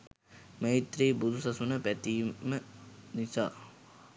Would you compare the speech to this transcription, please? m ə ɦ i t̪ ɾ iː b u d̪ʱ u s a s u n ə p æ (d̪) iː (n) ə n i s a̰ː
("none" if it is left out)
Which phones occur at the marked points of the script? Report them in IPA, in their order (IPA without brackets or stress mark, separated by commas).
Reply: t̪, m